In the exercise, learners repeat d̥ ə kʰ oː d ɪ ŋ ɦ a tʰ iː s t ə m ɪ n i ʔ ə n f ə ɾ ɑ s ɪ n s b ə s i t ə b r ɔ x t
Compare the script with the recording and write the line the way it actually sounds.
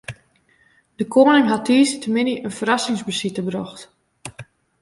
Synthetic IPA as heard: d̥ ə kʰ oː n ɪ ŋ ɦ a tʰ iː s t ə m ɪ n i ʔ ə n f ə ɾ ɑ s ɪ ŋ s b ə s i t ə b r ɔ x t

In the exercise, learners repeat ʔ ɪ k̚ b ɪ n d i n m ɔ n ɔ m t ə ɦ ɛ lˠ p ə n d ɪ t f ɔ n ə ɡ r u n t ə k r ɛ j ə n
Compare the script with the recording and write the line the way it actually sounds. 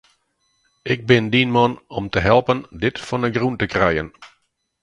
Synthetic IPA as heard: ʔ ɪ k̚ b ɪ n d i n m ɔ n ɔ m t ə ɦ ɛ lˠ p ə n d ɪ t f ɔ n ə ɡ r u n t ə k r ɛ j ə n

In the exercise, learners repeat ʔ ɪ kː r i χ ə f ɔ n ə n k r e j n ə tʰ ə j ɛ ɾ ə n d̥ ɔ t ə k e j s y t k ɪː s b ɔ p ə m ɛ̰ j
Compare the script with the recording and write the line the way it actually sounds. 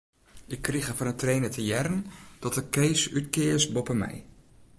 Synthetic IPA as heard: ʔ ɪ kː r i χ ə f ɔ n ə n t r e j n ə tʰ ə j ɛ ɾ ə n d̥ ɔ t ə k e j s y t k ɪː s b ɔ p ə m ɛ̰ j

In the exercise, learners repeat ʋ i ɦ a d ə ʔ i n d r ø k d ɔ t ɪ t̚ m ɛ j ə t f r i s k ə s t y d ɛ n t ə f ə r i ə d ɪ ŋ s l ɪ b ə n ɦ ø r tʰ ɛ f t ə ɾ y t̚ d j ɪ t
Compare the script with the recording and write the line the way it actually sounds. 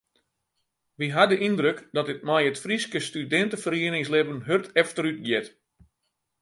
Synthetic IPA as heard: ʋ i ɦ a d ə ʔ i n d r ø k d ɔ t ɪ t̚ m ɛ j ə t f r i s k ə s t y d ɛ n t ə f ə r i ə n ɪ ŋ s l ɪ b ə n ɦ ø r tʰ ɛ f t ə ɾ y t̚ ɡ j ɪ t

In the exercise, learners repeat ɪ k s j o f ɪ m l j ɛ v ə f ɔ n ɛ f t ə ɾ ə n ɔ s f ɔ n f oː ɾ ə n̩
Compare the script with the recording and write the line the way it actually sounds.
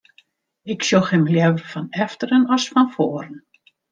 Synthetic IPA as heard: ɪ k s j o x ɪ m l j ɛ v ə f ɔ n ɛ f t ə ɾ ə n ɔ s f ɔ n f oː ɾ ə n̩

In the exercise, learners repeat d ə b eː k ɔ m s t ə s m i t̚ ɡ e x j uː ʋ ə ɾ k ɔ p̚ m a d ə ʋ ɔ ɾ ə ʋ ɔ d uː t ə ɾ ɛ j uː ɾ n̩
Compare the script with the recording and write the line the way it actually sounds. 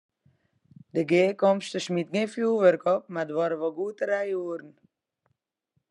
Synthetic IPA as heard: d ə ɡ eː k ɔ m s t ə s m i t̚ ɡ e f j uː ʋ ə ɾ k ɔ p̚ m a d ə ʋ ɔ ɾ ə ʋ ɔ ɡ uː t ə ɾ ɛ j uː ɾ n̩

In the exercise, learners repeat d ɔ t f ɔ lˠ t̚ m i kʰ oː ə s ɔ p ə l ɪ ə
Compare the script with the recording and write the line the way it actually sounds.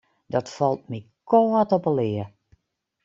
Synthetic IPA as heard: d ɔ t f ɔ lˠ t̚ m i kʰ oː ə t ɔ p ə l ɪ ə

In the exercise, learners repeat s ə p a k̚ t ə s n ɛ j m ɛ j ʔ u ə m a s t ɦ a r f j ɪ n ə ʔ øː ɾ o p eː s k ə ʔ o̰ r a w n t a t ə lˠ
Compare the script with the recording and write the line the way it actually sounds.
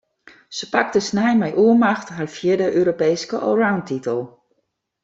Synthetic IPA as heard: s ə p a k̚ t ə s n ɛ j m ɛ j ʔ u ə m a x t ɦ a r f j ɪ d ə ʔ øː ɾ o p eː s k ə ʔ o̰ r a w n t i t ə lˠ

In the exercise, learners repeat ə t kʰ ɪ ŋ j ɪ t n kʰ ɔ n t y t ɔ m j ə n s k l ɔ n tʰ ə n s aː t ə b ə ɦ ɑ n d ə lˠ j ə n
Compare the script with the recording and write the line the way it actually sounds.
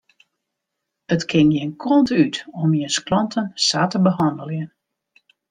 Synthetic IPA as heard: ə t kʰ ɪ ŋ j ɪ n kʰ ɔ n t y t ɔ m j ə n s k l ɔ n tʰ ə n s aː t ə b ə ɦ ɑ n d ə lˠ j ə n

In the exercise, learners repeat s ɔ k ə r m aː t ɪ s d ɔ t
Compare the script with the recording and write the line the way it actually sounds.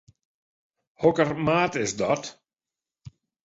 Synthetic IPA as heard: h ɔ k ə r m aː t ɪ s d ɔ t

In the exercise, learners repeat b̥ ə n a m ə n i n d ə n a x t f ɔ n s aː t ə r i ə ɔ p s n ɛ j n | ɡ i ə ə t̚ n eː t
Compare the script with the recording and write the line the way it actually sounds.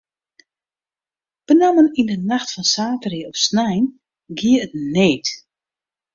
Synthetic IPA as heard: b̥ ə n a m ə n i n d ə n a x t f ɔ n s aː t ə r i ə ɔ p s n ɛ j n | ɡ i ə ə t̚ n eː t

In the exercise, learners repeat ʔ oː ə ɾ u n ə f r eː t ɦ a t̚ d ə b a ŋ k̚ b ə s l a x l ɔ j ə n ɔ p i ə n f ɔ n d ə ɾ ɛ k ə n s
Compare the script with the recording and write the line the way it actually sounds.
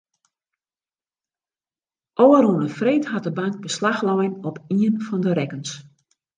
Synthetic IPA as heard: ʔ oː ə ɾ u n ə f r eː t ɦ a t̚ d ə b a ŋ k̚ b ə s l a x l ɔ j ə n ɔ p i ə n f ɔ n d ə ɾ ɛ k ə n s

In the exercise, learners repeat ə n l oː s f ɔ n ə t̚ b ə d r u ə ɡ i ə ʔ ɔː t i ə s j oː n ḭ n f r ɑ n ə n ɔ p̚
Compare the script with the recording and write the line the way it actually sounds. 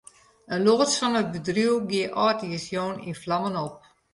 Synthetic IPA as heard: ə n l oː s f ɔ n ə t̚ b ə d r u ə ɡ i ə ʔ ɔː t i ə s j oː n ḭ n f l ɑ m ə n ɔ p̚

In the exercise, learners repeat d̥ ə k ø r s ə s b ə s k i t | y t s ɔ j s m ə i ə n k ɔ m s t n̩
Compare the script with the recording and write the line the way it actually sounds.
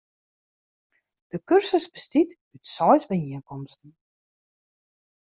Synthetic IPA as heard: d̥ ə k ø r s ə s b ə s t i t | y t s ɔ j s b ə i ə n k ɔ m s t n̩

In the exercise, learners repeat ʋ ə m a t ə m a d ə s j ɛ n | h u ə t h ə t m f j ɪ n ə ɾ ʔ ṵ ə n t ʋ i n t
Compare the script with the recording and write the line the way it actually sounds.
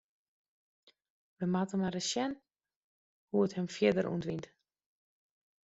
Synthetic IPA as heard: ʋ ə m a t ə m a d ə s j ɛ n | h u ə t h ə m f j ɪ d ə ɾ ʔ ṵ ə n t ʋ i n t

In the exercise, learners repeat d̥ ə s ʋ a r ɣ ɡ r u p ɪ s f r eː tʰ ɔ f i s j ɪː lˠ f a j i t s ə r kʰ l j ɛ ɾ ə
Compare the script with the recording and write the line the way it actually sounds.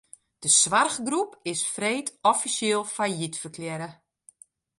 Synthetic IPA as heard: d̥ ə s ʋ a r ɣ ɡ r u p ɪ s f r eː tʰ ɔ f i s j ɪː lˠ f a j i t f ə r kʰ l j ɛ ɾ ə

